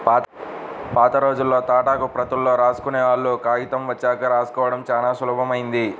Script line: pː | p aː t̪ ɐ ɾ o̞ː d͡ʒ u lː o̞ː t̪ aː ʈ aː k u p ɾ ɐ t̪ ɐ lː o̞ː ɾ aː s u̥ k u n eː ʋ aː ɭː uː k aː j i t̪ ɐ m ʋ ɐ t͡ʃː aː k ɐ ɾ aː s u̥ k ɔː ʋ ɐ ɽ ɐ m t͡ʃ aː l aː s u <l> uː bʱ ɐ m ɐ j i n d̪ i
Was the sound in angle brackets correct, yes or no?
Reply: yes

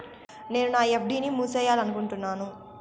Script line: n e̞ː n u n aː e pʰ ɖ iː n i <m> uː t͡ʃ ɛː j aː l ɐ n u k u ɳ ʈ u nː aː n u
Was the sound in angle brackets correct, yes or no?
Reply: yes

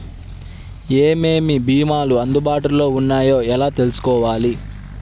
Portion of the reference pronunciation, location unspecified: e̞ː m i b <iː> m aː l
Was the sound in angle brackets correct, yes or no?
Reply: yes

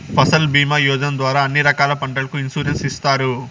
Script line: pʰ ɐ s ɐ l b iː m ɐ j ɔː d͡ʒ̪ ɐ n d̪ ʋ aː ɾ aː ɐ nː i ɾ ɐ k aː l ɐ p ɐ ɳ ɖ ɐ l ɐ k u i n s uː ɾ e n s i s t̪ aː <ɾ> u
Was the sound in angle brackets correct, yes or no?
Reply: yes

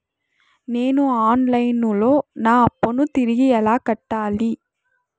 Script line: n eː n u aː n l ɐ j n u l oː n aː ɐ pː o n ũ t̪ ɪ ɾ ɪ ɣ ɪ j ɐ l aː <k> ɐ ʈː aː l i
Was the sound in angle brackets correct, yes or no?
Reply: yes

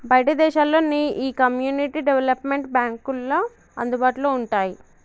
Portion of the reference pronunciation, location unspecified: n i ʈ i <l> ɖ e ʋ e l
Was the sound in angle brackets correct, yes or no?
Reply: no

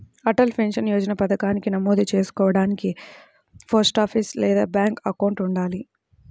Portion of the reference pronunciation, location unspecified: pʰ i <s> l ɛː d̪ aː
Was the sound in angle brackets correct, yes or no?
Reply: yes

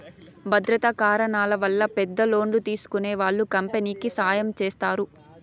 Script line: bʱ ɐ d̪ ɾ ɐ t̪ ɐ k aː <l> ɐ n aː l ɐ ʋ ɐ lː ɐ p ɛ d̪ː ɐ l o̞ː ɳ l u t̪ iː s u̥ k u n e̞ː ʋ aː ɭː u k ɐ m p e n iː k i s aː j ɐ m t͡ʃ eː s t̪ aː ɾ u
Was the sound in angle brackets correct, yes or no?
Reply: no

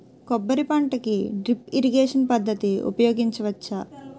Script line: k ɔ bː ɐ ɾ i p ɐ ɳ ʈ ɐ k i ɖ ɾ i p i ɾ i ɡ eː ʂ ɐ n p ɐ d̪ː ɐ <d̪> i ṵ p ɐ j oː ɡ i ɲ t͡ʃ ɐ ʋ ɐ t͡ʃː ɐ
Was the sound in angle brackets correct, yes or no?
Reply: no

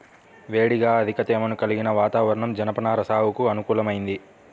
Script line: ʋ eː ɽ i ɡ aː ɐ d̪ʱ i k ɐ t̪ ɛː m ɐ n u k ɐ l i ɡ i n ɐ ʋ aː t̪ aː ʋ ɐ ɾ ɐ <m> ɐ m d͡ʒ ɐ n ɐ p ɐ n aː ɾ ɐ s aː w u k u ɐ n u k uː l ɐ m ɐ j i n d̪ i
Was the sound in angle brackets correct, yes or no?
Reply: no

